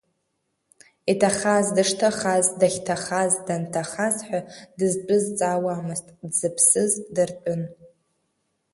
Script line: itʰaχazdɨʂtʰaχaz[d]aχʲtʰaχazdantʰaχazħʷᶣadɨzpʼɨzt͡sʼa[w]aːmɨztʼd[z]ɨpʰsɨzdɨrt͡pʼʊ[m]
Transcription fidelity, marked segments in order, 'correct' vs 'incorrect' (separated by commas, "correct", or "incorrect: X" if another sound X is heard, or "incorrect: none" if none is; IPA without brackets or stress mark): correct, correct, correct, incorrect: n